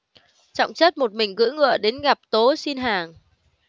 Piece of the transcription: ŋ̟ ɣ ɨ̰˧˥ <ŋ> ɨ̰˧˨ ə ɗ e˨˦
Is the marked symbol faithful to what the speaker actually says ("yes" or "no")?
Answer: yes